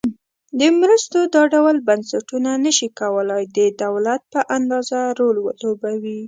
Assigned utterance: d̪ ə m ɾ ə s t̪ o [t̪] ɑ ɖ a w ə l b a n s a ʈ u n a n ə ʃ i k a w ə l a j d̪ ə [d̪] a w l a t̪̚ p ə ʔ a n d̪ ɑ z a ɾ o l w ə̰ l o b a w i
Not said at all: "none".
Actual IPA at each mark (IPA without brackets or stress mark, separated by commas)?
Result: d̪, d̪